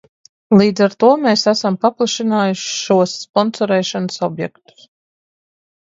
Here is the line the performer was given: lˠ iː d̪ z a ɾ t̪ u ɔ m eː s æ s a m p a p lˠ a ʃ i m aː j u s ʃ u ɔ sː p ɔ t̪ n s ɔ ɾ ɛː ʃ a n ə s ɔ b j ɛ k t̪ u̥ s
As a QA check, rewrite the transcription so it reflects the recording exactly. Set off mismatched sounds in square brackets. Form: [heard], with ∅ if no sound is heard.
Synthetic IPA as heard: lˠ iː d̪ z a ɾ t̪ u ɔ m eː s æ s a m p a p lˠ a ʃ i [n] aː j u [ʃ] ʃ u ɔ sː p ɔ [∅] n s ɔ ɾ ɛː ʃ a n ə s ɔ b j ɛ k t̪ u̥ s

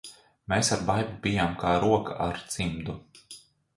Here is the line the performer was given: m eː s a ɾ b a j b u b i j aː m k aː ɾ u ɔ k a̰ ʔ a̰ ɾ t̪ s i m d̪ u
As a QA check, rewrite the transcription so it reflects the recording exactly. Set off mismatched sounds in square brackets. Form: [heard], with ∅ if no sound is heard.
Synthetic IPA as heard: m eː s a ɾ b a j b u b i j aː m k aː ɾ u ɔ k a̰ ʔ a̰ ɾ t̪ s i m d̪ u

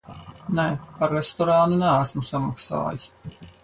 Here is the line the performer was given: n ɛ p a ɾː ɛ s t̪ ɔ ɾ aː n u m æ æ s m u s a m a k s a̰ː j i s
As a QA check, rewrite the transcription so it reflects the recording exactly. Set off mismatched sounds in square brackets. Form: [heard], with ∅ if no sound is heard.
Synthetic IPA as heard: n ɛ p a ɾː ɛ s t̪ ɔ ɾ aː n u [n] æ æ s m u s a m a k s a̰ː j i s

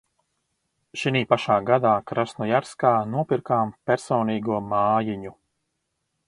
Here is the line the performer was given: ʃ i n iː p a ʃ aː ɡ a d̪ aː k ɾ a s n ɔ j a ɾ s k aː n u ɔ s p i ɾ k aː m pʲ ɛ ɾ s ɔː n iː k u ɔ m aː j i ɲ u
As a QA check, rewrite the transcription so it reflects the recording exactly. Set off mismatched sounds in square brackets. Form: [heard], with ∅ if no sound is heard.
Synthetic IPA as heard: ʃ i n iː p a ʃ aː ɡ a d̪ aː k ɾ a s n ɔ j a ɾ s k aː n u ɔ [∅] p i ɾ k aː m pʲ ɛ ɾ s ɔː n iː [ɡ] u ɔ m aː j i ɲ u

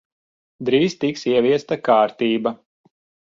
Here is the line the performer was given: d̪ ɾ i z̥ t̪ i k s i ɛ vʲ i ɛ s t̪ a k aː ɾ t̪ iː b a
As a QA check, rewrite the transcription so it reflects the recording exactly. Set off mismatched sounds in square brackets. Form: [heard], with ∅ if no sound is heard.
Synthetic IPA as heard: d̪ ɾ [iː] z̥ t̪ i k s i ɛ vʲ i ɛ s t̪ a k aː ɾ t̪ iː b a

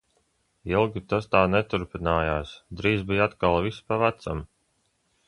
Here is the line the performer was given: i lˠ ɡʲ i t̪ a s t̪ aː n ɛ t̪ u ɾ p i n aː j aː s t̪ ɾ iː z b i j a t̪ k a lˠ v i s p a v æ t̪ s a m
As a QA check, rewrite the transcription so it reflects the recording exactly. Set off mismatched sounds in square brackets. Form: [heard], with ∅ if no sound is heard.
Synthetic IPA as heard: i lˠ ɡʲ i t̪ a s t̪ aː n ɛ t̪ u ɾ p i n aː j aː s [d̪] ɾ iː z b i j a t̪ k a lˠ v i s p a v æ t̪ s a m

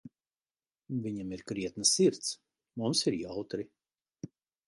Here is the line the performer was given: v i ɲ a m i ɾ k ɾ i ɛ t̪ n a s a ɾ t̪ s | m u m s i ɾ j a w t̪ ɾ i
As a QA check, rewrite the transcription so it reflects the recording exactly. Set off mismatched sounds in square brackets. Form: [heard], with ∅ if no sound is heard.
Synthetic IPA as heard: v i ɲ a m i ɾ k ɾ i ɛ t̪ n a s [i] ɾ t̪ s | m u m s i ɾ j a w t̪ ɾ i

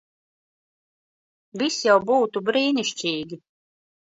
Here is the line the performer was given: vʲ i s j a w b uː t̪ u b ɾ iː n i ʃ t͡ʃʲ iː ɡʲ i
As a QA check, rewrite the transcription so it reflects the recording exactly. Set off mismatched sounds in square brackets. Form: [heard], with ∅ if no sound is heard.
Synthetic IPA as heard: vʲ i s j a w b uː t̪ u b ɾ iː n i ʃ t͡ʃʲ iː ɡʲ i

